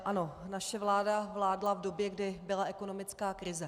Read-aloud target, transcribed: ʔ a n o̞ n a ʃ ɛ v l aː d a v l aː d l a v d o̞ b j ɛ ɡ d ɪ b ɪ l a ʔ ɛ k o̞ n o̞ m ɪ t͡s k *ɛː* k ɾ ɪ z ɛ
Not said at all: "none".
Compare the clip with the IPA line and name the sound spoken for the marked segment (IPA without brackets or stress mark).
aː